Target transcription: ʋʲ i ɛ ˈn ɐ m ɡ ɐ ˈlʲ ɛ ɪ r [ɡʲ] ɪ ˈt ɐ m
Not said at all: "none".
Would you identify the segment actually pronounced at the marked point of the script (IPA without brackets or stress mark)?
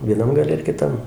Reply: kʲ